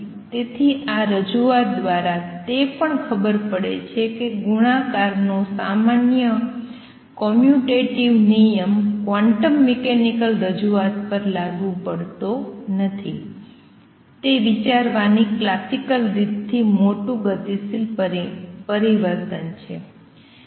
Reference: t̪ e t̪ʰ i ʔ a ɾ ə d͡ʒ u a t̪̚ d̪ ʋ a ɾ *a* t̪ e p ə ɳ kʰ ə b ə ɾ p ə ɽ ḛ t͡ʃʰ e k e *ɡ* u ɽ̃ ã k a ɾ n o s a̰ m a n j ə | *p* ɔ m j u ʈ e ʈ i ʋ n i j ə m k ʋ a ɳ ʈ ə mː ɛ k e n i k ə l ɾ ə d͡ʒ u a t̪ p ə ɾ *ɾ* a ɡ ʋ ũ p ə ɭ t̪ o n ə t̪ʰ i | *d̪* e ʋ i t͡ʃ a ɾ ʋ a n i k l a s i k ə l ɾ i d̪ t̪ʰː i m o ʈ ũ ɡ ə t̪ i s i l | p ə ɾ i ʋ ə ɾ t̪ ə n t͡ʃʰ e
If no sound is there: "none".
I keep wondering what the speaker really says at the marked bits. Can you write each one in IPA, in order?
a, ɡ, k, l, t̪

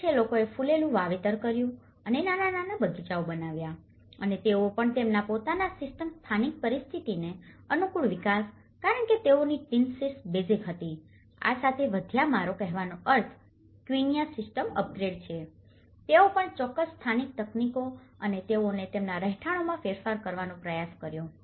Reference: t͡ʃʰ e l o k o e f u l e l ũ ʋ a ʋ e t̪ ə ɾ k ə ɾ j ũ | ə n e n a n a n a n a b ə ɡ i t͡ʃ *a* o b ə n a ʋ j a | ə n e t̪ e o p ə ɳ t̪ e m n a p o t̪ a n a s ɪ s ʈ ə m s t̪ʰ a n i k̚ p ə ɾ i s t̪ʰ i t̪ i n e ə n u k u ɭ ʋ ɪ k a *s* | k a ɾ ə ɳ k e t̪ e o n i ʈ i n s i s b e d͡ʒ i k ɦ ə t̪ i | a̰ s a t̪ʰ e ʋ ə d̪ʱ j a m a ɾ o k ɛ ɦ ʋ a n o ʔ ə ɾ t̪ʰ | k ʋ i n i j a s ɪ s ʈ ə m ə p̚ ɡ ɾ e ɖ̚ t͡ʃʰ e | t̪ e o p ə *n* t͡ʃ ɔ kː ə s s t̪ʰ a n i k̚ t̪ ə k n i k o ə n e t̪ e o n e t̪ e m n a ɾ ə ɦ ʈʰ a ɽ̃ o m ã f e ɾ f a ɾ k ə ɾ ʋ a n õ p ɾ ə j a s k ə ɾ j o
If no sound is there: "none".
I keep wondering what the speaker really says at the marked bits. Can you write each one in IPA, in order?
a, s, ɳ

